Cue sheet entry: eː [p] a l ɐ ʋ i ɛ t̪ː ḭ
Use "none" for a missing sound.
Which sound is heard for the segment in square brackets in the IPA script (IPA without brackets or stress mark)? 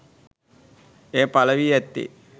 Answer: p